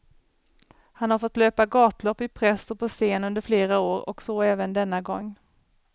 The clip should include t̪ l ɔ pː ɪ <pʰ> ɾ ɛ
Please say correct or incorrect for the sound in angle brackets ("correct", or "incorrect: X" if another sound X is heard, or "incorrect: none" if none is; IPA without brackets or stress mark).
correct